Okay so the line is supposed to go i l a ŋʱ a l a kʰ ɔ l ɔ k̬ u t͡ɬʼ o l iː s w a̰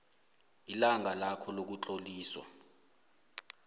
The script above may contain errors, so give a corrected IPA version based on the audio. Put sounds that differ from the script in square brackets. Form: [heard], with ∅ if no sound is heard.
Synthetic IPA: i l a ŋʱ a l a kʰ ɔ l [o] k̬ u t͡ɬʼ o l iː s w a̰

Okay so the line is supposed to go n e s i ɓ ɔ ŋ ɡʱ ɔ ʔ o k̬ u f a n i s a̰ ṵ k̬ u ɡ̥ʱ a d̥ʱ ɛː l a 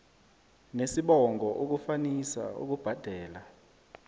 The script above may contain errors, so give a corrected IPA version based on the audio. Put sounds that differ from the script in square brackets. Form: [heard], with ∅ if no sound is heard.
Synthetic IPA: n e s i ɓ ɔ ŋ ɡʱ ɔ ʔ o k̬ u f a n i s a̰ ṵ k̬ u [b̥ʱ] a d̥ʱ ɛː l a

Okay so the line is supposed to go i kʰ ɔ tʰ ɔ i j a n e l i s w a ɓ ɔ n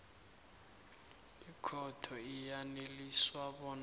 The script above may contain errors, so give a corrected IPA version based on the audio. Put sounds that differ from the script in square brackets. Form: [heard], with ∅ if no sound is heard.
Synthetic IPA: i kʰ ɔ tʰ ɔ i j a n e l i s w a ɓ ɔ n

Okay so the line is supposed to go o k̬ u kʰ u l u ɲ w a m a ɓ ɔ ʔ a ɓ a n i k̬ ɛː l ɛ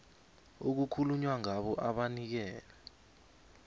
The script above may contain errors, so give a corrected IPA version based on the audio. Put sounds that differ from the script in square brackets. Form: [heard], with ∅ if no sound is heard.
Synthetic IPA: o k̬ u kʰ u l u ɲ w a [ŋ] a ɓ ɔ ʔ a ɓ a n i k̬ ɛː l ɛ

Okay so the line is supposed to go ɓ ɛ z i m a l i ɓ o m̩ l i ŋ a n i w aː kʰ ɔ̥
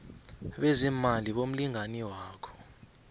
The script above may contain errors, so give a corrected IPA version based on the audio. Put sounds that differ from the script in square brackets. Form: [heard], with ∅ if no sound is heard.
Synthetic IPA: ɓ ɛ z i m a l i ɓ o m̩ l i ŋ a n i w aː kʰ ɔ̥

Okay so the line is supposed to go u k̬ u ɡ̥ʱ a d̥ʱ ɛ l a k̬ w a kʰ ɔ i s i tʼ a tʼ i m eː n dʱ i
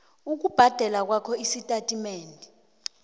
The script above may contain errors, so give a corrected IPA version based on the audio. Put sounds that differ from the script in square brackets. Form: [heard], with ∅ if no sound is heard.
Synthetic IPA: u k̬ u [b̥ʱ] a d̥ʱ ɛ l a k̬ w a kʰ ɔ i s i tʼ a tʼ i m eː n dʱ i

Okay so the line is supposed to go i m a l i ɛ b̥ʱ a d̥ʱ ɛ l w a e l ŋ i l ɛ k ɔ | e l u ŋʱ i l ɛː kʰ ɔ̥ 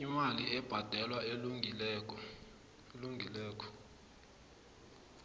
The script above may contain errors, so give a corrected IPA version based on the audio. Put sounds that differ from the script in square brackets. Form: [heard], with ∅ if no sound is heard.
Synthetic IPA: i m a l i ɛ b̥ʱ a d̥ʱ ɛ l w a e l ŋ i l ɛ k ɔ | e l u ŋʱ i l ɛː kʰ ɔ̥

